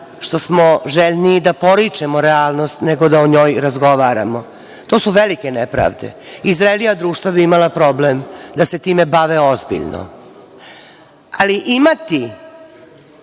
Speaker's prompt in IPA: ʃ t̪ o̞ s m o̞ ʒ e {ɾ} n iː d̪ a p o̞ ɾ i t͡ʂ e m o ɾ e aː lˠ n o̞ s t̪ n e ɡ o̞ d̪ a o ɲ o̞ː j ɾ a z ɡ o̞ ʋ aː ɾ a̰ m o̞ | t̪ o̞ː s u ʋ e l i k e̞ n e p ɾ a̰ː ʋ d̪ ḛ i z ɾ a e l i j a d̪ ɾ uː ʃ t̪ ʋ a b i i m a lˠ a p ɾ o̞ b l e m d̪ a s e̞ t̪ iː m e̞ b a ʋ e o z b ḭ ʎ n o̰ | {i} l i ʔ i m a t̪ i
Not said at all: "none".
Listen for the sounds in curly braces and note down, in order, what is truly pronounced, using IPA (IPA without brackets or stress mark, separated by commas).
ʎ, a